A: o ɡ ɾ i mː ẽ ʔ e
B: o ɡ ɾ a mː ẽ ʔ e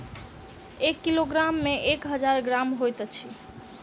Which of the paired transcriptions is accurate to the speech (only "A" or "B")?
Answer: B